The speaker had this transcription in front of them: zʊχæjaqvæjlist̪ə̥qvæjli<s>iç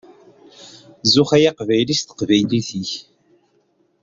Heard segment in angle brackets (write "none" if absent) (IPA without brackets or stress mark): θ